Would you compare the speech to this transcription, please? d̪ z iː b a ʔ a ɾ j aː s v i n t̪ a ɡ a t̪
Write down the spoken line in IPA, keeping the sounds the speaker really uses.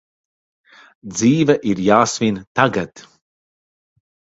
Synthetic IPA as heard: d̪ z iː v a ʔ i ɾ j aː s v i n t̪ a ɡ a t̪